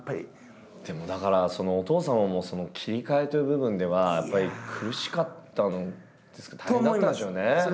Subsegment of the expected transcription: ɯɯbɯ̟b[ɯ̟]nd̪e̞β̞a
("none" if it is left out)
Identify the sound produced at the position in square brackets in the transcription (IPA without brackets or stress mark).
ɯ̟̃